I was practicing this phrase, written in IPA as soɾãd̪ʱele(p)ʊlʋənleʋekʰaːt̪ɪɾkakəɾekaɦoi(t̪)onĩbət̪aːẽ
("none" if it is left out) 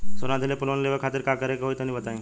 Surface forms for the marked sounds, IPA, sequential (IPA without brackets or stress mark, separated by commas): p, t̪